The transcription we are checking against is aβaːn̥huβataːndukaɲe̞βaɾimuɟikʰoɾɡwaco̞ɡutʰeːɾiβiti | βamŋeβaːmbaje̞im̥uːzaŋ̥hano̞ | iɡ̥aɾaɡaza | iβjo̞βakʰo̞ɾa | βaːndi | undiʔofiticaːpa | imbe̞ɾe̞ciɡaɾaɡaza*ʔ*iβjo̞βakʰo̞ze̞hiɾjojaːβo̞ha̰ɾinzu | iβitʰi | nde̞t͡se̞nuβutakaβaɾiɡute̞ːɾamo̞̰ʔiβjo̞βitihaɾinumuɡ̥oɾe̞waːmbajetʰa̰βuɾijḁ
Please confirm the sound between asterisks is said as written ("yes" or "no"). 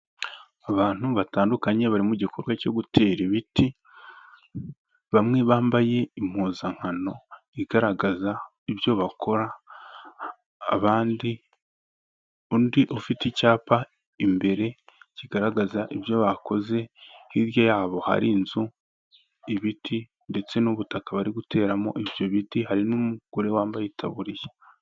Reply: yes